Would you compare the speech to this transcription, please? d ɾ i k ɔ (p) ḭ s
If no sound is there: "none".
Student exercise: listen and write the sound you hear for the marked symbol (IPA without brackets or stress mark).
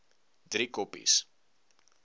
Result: p